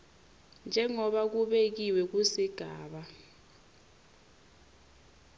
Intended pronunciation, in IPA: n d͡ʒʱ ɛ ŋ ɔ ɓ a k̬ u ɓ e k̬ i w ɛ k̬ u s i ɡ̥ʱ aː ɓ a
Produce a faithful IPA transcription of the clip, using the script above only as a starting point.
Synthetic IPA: n d͡ʒʱ ɛ ŋ ɔ ɓ a k̬ u ɓ e k̬ i w ɛ k̬ u s i ɡ̥ʱ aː ɓ a

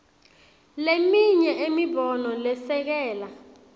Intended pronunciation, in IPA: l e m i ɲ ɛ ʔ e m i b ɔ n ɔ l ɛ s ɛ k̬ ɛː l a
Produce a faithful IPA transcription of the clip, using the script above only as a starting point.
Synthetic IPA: l e m i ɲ ɛ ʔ e m i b ɔ n ɔ l ɛ s ɛ k̬ ɛː l a

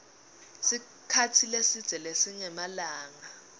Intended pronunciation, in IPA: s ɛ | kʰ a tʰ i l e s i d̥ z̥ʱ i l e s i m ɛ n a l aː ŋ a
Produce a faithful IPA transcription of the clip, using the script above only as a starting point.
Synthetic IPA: s i | kʰ a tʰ i l e s i d̥ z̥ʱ ɛ l e s i ɲ ɛ m a l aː ŋ a

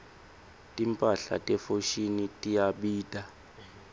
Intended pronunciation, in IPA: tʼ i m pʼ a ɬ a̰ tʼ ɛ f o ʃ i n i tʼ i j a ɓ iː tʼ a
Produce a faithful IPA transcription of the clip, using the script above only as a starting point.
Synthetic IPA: tʼ i m pʼ a ɬ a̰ tʼ ɛ f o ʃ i n i tʼ i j a ɓ iː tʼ a

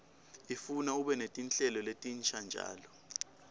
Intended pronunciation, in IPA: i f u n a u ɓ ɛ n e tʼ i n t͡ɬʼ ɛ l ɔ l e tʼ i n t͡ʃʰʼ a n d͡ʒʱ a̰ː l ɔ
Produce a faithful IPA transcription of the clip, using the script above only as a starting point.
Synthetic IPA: i f u n a u ɓ ɛ n e tʼ i n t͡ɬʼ ɛ l ɔ l e tʼ i n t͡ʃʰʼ a n d͡ʒʱ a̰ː l ɔ

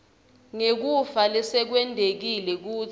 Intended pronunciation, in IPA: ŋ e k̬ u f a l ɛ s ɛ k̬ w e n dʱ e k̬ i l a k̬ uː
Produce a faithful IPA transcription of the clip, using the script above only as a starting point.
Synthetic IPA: ŋ e k̬ u f a l ɛ s ɛ k̬ w ɛ n dʱ e k̬ i l ɛ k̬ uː

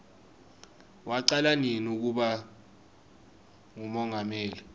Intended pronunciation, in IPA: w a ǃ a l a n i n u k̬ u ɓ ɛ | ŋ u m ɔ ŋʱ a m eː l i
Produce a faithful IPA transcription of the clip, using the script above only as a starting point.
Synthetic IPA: w a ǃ a l a n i n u k̬ u ɓ a | ŋ u m ɔ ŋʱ a m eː l i

